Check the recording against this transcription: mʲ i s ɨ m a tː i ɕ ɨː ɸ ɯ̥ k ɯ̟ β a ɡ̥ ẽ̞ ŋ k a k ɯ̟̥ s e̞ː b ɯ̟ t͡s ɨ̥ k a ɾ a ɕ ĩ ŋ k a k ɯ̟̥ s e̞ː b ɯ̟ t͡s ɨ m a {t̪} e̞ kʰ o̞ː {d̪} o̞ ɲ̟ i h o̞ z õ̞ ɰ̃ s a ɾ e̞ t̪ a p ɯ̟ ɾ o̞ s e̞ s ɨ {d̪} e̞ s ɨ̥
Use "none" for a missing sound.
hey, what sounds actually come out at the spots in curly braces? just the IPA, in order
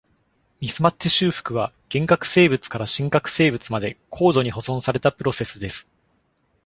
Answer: d̪, d̪, d̪

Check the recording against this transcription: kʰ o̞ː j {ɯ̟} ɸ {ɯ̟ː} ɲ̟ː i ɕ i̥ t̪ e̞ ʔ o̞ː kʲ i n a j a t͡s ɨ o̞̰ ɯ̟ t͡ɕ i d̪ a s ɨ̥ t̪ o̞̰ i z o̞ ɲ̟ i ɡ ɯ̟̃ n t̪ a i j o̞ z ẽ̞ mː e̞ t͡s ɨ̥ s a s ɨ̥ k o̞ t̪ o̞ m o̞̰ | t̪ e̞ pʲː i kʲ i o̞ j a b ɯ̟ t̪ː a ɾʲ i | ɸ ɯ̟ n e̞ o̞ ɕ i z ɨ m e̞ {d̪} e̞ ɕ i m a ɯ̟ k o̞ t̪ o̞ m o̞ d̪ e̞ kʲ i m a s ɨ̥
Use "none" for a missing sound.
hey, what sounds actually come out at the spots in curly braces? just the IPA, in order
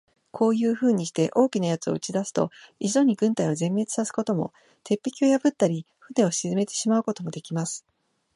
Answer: ɯ̟ː, ɯ̟ː, t̪

